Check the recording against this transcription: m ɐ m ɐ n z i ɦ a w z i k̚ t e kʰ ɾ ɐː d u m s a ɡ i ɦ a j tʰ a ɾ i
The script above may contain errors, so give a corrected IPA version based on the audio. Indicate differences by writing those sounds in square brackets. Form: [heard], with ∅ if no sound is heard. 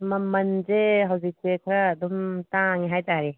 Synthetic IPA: m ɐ m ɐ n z [e] ɦ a w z i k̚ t e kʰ ɾ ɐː d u m [t] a [ŋ] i ɦ a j [t] a ɾ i